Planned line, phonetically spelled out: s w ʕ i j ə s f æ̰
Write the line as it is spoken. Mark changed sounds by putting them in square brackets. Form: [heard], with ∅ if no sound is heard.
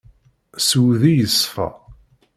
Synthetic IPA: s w [ð] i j ə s f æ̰